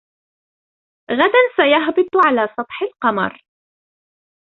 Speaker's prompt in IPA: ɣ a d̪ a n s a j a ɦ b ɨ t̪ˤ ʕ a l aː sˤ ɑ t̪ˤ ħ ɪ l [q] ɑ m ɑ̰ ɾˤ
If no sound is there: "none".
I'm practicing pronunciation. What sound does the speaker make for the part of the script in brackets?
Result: q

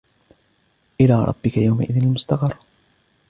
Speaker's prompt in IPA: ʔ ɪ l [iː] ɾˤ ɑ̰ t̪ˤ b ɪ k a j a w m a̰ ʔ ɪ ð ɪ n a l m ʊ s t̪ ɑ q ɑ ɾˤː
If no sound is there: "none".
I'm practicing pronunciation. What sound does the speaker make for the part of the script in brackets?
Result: aː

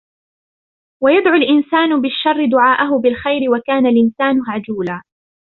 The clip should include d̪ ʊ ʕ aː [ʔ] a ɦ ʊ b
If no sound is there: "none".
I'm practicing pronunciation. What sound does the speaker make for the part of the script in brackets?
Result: ʔ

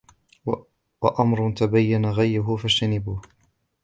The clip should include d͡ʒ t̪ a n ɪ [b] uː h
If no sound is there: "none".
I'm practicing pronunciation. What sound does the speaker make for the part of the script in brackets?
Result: b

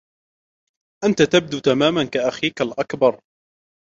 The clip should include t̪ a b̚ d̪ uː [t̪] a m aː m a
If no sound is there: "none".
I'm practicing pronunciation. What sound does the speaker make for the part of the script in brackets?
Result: t̪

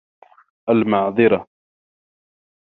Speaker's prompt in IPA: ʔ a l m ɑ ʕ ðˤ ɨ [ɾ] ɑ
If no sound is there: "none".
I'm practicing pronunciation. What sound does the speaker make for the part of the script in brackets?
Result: ɾ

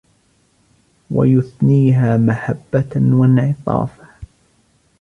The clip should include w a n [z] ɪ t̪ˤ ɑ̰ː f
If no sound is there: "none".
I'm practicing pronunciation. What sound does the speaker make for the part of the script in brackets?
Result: ʕ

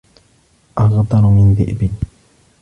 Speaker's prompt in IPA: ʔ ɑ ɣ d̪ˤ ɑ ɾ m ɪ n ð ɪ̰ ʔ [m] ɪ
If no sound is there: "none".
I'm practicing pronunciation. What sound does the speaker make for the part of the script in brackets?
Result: b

